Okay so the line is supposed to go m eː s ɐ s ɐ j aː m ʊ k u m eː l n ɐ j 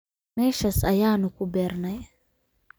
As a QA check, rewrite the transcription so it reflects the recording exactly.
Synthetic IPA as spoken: m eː ʃ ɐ s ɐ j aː n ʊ k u b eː ɾ n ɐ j